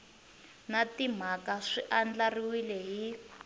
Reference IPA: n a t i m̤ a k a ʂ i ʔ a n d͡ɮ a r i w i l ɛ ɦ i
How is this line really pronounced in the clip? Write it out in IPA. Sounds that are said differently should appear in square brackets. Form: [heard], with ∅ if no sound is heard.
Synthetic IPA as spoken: n a t i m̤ a k a ʂ i ʔ a n d͡ɮ a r i w i l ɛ ɦ i